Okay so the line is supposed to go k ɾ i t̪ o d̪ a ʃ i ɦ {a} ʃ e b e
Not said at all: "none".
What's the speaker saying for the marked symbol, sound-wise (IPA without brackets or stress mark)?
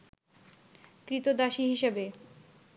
i